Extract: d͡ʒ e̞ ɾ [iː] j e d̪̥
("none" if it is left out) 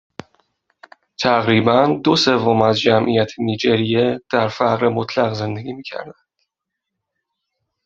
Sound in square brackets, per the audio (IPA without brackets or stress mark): i